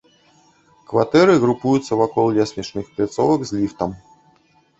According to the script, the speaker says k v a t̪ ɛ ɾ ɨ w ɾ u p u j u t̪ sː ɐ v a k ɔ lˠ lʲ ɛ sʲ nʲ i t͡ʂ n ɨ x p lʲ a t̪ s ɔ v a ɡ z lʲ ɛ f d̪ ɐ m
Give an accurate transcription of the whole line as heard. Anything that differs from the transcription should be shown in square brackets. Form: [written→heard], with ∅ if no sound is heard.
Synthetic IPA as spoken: k v a t̪ ɛ ɾ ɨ [w→ɣ] ɾ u p u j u t̪ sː ɐ v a k ɔ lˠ lʲ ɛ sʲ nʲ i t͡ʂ n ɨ x p lʲ a t̪ s ɔ v [a→ɐ] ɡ z lʲ [ɛ→i] f [d̪→t̪] ɐ m